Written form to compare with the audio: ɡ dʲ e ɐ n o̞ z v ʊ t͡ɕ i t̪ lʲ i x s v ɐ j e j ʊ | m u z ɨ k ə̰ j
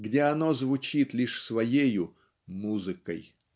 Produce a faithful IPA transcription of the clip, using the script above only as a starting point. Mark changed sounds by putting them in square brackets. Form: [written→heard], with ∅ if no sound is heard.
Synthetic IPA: ɡ dʲ e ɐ n o̞ z v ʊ t͡ɕ i t̪ lʲ i [x→ʂ] s v ɐ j e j ʊ | m u z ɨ k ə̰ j